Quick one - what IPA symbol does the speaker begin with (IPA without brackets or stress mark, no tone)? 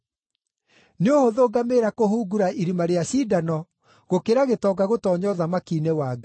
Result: n